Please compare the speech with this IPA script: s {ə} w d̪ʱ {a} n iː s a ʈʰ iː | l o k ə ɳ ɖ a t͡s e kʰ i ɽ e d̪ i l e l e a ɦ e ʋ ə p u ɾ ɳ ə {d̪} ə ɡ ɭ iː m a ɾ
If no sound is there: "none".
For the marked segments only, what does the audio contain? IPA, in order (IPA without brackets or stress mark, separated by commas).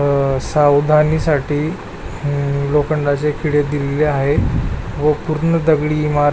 a, a, d̪